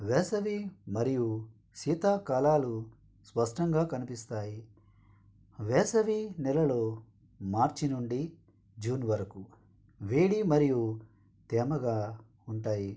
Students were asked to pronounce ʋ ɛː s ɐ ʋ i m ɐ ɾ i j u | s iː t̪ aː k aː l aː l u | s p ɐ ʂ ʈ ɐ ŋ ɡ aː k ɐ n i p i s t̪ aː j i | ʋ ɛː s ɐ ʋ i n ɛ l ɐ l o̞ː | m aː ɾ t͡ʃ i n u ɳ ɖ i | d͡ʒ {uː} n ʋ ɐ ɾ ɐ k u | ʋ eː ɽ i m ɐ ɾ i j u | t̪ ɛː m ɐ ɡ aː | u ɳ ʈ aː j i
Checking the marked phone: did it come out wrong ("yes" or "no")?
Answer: no